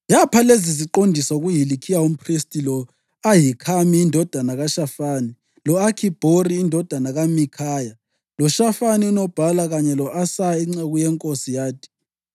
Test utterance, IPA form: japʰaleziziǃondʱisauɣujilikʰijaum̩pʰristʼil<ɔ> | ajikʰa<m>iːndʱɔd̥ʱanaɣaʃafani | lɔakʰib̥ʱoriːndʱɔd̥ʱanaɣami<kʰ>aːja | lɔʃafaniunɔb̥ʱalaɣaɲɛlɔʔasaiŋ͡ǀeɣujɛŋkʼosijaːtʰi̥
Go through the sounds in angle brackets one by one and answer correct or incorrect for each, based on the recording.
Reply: correct, correct, correct

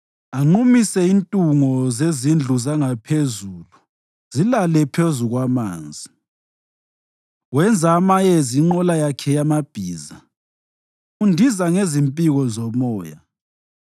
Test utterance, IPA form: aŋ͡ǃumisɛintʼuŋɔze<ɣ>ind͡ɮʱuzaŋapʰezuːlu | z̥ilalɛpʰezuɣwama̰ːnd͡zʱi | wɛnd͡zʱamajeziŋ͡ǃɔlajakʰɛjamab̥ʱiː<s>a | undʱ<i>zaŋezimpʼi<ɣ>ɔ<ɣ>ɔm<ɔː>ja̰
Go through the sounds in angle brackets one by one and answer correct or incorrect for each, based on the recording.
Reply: incorrect, incorrect, correct, correct, incorrect, correct

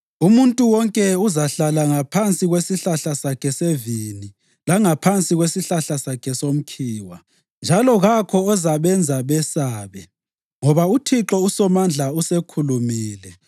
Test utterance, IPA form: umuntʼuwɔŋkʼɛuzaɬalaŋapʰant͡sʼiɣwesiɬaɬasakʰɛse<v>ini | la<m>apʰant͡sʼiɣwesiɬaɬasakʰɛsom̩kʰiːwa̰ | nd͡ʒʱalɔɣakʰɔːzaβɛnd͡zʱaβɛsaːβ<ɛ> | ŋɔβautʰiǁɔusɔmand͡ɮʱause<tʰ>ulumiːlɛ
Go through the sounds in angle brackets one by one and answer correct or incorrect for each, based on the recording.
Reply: correct, incorrect, correct, incorrect

